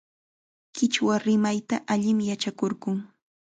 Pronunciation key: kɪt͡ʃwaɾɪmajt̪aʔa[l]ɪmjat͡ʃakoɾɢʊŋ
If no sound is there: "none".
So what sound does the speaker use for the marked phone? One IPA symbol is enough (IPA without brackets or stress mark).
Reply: ʎ